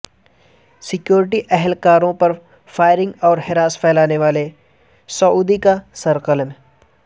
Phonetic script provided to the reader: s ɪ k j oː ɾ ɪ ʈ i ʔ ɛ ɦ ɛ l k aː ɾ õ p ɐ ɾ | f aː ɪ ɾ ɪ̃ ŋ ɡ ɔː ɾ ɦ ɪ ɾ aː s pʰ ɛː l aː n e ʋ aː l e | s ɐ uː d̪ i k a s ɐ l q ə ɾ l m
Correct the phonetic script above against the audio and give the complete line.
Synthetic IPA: s ɪ k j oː ɾ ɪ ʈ i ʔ ɛ ɦ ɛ l k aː ɾ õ p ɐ ɾ | f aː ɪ ɾ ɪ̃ ŋ ɡ ɔː ɾ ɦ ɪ ɾ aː s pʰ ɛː l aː n e ʋ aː l e | s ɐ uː d̪ i k a s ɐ ɾ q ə l m